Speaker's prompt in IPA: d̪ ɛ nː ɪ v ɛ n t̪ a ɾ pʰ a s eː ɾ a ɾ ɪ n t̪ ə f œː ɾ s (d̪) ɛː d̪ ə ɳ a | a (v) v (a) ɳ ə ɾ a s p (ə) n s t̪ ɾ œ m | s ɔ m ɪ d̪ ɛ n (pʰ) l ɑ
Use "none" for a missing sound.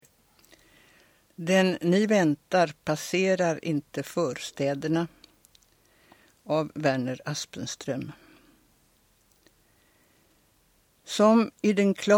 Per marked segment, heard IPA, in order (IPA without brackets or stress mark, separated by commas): t̪, v, æ, ə, kʰ